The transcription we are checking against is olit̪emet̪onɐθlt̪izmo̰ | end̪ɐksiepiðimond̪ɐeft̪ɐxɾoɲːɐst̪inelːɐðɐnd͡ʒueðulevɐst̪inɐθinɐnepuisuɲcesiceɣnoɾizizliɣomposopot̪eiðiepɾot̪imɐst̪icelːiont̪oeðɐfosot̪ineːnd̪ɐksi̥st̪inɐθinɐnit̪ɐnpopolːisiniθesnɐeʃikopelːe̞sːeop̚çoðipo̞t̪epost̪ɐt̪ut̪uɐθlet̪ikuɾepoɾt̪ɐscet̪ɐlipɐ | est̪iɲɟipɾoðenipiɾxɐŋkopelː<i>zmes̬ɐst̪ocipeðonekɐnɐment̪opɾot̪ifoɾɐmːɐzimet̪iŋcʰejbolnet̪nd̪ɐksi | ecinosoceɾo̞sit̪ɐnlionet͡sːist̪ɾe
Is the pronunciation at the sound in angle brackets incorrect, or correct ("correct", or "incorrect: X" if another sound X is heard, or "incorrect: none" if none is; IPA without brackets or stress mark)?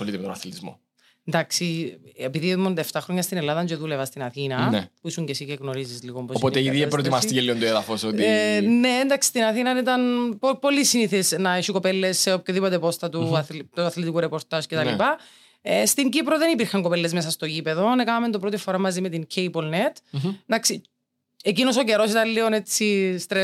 incorrect: e